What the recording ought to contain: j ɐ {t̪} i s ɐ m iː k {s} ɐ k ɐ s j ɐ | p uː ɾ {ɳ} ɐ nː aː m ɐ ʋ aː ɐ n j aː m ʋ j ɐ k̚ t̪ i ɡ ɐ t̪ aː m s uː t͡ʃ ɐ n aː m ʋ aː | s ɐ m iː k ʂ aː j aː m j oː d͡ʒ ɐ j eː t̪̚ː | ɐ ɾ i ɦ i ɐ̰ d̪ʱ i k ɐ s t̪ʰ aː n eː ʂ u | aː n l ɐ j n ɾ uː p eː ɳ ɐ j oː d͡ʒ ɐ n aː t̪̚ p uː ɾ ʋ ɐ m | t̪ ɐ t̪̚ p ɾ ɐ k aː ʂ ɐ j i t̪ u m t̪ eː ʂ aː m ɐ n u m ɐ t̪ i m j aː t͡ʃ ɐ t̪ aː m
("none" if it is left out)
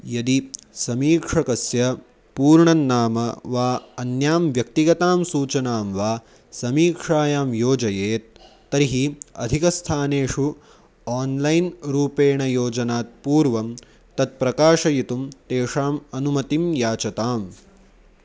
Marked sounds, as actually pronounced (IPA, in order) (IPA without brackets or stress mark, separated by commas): d̪, ʂ, ɳ